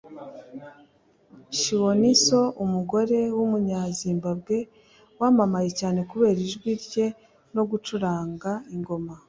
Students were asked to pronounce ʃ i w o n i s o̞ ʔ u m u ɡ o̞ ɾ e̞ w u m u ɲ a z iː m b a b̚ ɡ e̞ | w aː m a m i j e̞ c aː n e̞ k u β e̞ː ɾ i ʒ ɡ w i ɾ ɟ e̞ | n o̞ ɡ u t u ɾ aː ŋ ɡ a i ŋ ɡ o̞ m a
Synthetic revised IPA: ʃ i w o n i s o̞ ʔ u m u ɡ o̞ ɾ e̞ w u m u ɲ a z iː m b a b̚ ɡ e̞ | w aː m a m a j e̞ c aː n e̞ k u β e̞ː ɾ i ʒ ɡ w i ɾ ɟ e̞ | n o̞ ɡ u t͡ʃ u ɾ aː ŋ ɡ a i ŋ ɡ o̞ m a

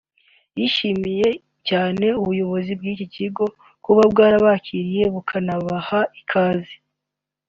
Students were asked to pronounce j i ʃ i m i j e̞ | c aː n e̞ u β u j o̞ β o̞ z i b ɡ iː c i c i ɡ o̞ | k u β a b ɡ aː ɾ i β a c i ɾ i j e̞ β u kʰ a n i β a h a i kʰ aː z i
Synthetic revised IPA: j i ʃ i m i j e̞ | c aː n e̞ u β u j o̞ β o̞ z i b ɡ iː c i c i ɡ o̞ | k u β a b ɡ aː ɾ a β a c i ɾ i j e̞ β u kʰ a n a β a h a i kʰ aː z i

